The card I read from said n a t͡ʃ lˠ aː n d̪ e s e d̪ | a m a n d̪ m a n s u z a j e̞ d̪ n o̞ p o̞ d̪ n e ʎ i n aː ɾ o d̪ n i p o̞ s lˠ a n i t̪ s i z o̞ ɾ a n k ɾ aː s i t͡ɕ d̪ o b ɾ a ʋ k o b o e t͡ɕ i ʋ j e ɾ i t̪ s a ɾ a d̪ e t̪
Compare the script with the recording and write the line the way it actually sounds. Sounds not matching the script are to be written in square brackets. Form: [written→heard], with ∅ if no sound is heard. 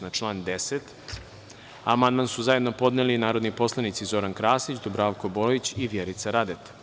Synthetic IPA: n a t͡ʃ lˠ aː n d̪ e s e [d̪→t̪] | a m a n d̪ m a n s u z a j e̞ d̪ n o̞ p o̞ d̪ n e [ʎ→l] i n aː ɾ o d̪ n i p o̞ s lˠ a n i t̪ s i z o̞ ɾ a n k ɾ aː s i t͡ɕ d̪ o b ɾ a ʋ k o b o [e→i] t͡ɕ i ʋ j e ɾ i t̪ s a ɾ a d̪ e t̪